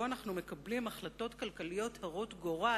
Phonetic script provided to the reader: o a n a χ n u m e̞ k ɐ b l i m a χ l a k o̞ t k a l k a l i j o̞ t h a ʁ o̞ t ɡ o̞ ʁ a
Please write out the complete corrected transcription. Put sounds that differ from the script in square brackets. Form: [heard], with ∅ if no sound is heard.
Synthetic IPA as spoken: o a n a χ n u m e̞ k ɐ b l i m a χ l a [t] o̞ t k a l k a l i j o̞ t h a ʁ o̞ t ɡ o̞ ʁ a